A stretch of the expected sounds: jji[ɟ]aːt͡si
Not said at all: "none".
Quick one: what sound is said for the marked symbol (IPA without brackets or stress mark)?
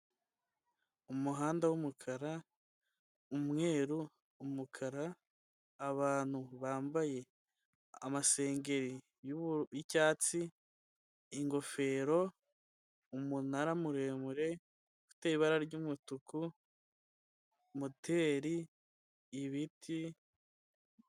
c